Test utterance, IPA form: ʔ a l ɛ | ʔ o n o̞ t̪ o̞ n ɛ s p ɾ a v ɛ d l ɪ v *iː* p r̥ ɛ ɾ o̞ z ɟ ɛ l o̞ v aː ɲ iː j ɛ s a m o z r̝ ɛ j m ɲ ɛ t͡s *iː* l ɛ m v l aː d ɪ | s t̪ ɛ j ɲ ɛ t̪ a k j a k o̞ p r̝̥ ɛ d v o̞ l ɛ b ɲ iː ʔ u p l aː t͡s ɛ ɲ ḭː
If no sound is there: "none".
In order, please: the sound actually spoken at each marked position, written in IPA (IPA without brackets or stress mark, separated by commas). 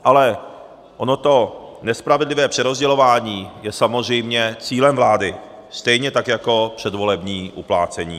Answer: ɛː, iː